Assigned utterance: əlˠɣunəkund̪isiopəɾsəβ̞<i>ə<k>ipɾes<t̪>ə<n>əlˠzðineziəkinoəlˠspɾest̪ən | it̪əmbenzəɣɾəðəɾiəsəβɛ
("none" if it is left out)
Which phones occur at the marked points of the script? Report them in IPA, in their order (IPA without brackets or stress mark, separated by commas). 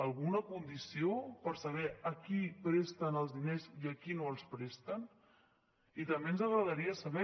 ɛ, k, t̪, n